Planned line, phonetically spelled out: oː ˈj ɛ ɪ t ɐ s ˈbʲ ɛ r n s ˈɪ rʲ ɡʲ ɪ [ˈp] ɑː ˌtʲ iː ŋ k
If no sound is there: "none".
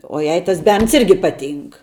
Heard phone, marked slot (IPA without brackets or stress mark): p